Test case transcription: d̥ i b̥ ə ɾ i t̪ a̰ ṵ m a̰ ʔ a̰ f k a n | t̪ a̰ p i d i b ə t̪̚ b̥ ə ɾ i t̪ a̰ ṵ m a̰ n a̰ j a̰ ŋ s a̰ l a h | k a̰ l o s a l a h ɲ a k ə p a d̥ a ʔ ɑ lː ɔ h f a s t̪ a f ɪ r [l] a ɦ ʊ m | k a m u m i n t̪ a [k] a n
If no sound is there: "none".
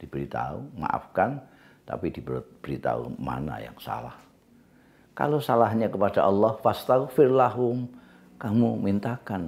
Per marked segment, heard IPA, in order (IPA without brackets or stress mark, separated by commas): l, k